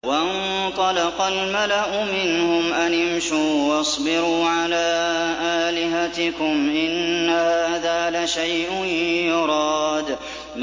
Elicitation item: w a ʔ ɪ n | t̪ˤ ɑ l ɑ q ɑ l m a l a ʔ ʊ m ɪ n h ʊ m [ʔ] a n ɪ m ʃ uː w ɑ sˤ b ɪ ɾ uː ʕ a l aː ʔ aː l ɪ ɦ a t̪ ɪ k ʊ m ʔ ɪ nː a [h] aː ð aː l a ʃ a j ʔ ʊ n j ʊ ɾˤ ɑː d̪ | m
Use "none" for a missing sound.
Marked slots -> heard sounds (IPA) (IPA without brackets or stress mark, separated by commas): ʔ, h